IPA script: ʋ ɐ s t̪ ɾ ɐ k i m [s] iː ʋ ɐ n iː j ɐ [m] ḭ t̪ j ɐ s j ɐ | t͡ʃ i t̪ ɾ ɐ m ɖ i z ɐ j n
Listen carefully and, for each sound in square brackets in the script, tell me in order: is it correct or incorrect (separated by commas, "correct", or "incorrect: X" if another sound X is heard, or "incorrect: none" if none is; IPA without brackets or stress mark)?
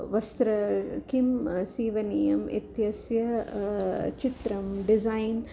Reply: correct, correct